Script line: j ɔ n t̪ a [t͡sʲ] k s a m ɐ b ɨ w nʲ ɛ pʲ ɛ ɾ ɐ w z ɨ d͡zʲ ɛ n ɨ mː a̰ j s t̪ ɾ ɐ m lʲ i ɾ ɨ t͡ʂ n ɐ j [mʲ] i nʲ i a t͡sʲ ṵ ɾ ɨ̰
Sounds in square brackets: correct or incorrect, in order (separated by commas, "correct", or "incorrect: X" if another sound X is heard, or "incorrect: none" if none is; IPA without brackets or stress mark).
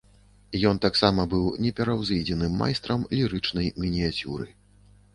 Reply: incorrect: none, correct